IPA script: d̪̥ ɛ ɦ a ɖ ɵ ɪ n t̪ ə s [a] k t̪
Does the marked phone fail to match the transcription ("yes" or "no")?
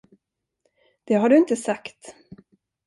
no